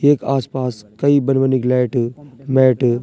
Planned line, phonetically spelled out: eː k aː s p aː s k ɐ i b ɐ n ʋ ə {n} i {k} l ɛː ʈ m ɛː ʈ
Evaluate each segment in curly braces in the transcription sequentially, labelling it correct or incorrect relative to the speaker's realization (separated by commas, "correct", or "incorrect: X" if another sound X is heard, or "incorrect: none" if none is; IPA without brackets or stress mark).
correct, correct